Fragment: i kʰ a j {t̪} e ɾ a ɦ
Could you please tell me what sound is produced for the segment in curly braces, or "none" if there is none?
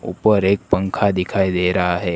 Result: d̪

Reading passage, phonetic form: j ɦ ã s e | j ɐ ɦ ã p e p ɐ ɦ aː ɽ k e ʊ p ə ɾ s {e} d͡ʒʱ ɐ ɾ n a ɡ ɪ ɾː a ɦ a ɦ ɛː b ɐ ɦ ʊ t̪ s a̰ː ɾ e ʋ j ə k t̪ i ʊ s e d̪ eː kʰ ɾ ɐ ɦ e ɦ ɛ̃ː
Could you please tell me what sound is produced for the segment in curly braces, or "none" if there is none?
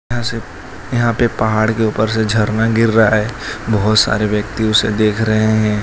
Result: e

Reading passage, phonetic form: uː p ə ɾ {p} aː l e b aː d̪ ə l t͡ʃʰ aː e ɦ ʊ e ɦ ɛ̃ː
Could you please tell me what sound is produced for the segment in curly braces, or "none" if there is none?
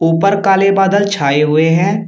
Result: k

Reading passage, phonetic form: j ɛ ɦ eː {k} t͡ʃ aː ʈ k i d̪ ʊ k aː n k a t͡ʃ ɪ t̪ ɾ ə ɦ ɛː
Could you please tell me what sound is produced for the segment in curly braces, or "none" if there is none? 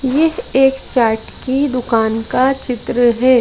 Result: k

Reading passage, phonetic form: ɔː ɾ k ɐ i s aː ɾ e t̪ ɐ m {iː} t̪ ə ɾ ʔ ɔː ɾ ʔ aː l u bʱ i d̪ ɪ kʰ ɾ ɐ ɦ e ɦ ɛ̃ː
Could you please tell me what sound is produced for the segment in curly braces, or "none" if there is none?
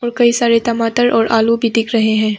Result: aː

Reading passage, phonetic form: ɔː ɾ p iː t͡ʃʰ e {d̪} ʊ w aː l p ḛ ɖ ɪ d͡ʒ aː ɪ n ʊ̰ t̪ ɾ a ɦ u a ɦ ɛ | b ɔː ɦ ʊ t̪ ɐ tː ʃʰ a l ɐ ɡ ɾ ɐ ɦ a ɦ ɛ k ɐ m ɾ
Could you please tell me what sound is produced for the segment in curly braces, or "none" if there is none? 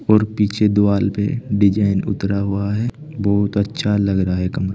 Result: d̪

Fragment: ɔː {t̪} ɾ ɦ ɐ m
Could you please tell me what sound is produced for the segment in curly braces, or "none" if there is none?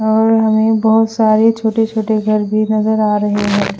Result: none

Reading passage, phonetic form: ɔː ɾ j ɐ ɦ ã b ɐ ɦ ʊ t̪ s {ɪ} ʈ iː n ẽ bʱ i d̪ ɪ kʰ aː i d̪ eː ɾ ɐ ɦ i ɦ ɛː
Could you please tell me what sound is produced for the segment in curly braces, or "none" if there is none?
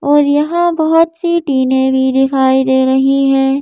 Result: i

